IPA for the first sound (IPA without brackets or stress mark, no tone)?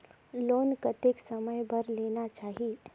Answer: l